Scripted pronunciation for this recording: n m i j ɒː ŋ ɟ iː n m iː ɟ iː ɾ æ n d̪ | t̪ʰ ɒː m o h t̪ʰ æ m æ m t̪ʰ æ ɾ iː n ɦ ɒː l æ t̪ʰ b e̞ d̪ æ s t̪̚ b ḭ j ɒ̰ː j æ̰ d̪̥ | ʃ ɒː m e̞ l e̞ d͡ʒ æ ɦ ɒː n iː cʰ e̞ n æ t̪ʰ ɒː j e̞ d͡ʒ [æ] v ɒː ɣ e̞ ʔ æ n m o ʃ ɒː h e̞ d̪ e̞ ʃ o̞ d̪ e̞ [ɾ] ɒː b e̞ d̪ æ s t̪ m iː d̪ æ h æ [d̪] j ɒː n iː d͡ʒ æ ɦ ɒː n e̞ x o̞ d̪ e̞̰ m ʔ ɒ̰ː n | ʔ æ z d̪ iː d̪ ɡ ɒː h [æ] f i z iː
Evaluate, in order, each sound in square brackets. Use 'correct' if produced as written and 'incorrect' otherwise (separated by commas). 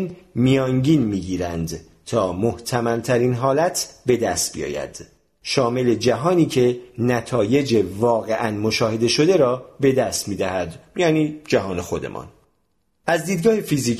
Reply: incorrect, correct, correct, incorrect